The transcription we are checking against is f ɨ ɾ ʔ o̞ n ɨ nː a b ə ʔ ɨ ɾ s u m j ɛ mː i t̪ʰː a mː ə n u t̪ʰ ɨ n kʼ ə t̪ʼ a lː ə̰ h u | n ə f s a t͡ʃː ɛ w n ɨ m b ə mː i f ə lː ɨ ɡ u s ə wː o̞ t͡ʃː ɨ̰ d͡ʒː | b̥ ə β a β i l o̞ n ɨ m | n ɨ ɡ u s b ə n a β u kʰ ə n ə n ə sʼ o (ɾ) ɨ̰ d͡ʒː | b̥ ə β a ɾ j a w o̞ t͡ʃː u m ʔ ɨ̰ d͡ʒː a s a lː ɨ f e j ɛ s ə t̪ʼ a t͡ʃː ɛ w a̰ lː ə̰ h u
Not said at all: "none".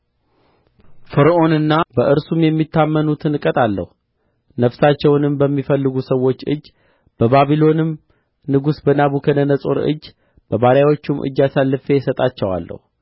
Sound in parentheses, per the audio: ɾ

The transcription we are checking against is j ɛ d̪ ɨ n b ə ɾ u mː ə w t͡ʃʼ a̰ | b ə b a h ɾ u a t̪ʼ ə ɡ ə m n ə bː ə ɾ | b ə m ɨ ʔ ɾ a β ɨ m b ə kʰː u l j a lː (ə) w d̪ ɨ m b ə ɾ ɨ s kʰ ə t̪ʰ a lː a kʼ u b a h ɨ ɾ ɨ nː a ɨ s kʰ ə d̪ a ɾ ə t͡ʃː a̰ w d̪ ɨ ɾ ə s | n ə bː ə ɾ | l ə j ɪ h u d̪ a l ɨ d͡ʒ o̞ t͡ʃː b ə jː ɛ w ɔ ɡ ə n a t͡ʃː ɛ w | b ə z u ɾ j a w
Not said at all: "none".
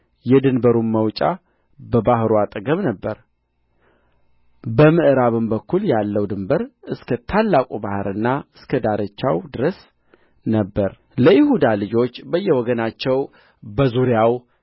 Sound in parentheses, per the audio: ə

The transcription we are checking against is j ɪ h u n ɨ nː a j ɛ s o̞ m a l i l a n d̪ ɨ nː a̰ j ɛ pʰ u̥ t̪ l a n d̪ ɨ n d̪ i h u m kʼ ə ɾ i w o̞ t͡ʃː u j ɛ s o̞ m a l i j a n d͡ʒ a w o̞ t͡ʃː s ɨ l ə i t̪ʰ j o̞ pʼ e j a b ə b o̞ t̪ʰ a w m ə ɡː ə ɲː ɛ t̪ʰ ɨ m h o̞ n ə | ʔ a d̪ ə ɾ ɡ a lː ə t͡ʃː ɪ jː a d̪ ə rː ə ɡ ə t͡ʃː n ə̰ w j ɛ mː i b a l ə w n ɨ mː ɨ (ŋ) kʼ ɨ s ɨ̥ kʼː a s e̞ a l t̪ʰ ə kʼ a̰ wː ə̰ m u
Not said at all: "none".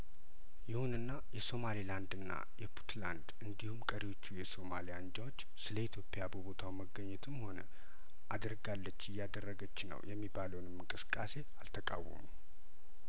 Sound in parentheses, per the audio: ŋ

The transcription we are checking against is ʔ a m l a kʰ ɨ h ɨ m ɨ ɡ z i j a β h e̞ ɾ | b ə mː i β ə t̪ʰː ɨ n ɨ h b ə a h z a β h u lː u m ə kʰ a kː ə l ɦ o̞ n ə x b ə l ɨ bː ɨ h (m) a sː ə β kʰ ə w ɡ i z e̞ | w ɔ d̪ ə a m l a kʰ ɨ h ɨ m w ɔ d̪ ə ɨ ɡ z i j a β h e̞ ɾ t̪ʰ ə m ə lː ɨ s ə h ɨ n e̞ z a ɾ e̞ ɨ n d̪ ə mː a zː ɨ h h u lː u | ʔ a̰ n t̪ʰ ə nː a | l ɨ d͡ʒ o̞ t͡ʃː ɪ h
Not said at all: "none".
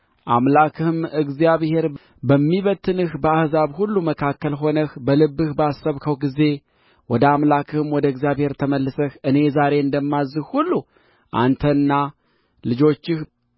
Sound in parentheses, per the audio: b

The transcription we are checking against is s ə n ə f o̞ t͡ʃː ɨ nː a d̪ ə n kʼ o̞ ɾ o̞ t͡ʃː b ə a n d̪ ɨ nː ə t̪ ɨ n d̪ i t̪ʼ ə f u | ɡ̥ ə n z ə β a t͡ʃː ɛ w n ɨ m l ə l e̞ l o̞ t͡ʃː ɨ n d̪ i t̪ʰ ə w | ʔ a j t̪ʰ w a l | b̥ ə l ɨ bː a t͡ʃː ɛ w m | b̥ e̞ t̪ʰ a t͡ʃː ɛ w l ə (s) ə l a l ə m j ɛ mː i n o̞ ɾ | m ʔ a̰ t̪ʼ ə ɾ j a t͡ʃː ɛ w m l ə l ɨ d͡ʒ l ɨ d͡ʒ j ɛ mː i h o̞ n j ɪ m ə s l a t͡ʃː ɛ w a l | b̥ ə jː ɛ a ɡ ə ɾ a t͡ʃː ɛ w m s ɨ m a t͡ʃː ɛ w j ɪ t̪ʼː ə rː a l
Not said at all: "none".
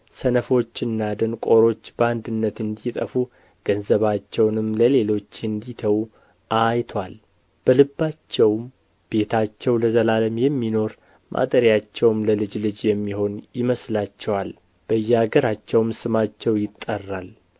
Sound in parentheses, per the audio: z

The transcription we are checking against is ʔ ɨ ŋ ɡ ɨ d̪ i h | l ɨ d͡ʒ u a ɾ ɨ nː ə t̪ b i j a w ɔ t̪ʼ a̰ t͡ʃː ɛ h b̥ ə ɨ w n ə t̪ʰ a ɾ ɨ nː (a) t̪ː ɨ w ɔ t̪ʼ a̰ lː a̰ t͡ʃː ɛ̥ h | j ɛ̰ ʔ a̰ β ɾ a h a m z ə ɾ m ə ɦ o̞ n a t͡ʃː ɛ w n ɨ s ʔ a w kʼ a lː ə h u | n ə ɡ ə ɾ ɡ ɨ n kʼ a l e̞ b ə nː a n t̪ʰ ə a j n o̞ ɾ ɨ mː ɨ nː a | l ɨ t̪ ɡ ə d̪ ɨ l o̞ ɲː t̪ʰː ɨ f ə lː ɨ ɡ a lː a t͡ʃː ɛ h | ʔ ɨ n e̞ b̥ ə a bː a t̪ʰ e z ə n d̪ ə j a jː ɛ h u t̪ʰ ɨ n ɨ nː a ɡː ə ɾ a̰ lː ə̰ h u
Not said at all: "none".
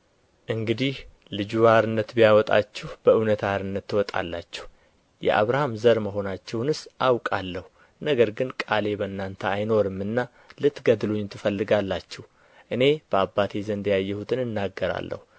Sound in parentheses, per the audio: ə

